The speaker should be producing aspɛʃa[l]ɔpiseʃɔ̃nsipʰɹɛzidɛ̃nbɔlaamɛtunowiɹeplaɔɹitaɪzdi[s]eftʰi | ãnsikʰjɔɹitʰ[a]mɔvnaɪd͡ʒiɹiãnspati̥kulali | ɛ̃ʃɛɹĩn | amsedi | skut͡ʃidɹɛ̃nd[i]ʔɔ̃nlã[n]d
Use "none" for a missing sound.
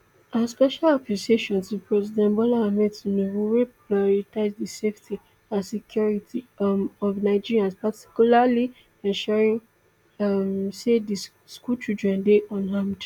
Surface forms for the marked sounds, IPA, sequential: l, s, i, e, m

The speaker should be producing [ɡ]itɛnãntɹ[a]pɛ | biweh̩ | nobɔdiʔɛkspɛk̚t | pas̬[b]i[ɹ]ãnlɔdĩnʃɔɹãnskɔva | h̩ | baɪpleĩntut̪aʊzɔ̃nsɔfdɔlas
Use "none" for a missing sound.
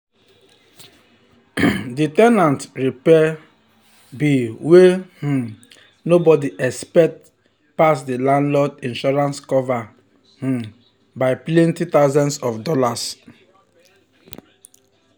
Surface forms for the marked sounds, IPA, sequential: d, i, d, l

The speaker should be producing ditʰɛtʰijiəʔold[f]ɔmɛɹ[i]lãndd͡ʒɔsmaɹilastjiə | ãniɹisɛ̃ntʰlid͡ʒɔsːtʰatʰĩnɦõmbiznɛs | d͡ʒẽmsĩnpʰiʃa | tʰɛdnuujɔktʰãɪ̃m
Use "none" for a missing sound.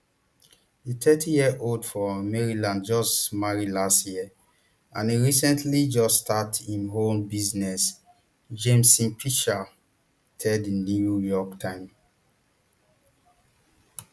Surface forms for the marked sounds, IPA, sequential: f, i

